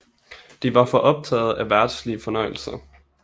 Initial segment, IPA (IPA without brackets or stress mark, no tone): d̥